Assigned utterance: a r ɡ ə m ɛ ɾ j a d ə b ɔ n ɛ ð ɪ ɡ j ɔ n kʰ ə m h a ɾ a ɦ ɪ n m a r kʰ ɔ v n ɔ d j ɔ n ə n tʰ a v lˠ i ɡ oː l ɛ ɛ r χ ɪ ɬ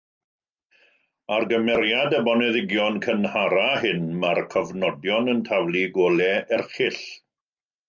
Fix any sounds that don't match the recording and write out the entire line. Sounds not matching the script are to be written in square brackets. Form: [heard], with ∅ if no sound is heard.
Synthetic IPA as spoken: a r ɡ ə m ɛ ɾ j a d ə b ɔ n ɛ ð ɪ ɡ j ɔ n kʰ ə [n] h a ɾ a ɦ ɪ n m a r kʰ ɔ v n ɔ d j ɔ n ə n tʰ a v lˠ i ɡ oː l ɛ ɛ r χ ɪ ɬ